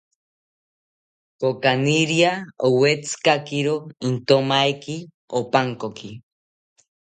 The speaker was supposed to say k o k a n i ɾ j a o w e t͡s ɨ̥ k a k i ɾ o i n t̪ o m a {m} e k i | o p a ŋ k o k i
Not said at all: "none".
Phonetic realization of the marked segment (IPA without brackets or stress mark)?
none